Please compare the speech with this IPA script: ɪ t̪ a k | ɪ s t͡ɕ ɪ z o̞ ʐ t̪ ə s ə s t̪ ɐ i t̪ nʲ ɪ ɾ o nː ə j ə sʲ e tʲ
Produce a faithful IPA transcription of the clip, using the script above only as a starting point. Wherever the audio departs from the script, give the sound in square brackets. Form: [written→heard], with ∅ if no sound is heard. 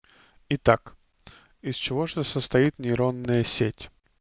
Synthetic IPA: ɪ t̪ a k | ɪ s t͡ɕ ɪ [z→v] o̞ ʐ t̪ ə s ə s t̪ ɐ i t̪ nʲ ɪ ɾ o nː ə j ə sʲ e tʲ